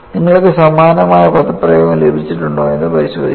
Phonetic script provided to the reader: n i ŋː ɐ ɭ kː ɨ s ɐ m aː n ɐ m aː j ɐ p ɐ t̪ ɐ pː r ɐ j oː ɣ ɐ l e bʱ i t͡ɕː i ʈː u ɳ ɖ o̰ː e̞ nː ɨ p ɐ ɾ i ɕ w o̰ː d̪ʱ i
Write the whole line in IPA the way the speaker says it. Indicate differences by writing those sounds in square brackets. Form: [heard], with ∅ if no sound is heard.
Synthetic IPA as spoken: n i ŋː ɐ ɭ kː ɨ s ɐ m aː n ɐ m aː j ɐ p ɐ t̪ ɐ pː r ɐ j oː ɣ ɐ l e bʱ i t͡ɕː i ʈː u ɳ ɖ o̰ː e̞ nː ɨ p ɐ ɾ i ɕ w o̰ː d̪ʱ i